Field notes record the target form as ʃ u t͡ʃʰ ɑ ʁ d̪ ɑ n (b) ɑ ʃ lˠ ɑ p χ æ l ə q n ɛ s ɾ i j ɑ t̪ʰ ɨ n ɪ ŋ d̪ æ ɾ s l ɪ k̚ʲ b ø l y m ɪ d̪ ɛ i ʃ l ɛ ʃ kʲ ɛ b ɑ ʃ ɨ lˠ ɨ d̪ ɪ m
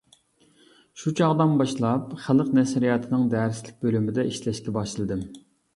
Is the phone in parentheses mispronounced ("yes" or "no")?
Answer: no